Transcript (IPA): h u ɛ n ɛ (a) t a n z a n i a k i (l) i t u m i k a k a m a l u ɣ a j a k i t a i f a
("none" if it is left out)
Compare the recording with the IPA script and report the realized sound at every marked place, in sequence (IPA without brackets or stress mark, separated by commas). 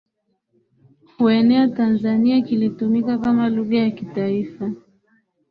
a, l